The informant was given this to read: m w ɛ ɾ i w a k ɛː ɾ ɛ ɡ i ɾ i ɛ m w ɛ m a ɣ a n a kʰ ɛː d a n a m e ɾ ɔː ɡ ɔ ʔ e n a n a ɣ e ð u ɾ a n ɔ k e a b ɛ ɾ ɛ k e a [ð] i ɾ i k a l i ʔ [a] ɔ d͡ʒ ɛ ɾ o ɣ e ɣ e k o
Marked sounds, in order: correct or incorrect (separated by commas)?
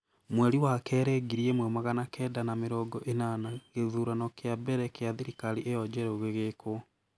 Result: correct, incorrect